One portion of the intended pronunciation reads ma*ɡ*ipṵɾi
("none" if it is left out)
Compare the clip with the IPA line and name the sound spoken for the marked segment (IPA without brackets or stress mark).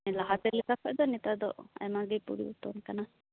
ɡ